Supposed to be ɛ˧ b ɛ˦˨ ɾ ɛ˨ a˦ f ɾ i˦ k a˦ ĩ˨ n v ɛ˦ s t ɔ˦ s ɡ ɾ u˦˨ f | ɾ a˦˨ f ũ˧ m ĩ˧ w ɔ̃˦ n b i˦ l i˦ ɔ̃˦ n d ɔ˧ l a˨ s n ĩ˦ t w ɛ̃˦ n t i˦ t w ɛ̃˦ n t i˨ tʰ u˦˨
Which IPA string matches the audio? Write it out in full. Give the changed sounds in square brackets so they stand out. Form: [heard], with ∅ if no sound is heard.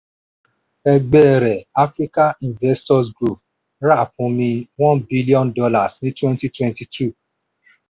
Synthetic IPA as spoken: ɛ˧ [ɡ͡b] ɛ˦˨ ɾ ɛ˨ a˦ f ɾ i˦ k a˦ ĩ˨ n v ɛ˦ s t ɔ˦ s ɡ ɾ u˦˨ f | ɾ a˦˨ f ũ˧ m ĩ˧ w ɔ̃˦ n b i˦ l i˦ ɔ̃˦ n d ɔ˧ l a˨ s n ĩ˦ t w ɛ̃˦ n t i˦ t w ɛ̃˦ n t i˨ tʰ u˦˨